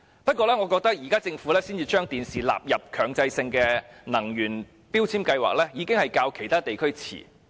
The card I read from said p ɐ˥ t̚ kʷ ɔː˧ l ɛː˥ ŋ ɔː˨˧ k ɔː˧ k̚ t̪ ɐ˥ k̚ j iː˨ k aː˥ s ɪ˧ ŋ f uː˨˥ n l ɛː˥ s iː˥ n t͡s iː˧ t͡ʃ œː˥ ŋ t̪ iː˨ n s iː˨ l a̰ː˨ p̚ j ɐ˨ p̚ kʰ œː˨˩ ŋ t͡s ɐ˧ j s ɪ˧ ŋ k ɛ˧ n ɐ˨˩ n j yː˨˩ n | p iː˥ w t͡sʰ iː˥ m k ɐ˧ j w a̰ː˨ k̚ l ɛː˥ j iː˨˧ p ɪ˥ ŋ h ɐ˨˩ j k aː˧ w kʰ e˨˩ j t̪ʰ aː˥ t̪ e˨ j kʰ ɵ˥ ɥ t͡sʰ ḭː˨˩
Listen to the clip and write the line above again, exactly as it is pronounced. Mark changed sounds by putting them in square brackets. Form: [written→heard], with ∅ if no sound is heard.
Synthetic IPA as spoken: p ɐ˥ t̚ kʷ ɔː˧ l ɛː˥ ŋ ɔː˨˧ k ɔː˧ k̚ t̪ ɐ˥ k̚ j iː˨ k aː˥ [s→t͡s] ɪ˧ ŋ f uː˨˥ [n→∅] l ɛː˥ s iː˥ n t͡s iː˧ t͡ʃ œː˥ ŋ t̪ iː˨ n s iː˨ l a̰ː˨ p̚ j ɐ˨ p̚ kʰ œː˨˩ ŋ t͡s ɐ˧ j s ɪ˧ ŋ k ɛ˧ n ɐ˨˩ [n→ŋ] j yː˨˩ n | p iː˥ w t͡sʰ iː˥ m k ɐ˧ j w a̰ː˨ k̚ l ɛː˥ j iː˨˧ [p→k] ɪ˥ ŋ h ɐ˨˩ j k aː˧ w kʰ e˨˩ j t̪ʰ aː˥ t̪ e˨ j kʰ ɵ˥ ɥ t͡sʰ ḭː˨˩